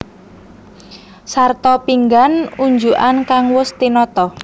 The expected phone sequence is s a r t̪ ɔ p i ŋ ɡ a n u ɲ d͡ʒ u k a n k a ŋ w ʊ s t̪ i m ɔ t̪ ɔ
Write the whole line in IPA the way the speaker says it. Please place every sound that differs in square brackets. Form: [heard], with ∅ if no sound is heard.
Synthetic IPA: s a r t̪ ɔ p i ŋ ɡ a n u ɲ d͡ʒ u [ʔ] a n k a ŋ w ʊ s t̪ i [n] ɔ t̪ ɔ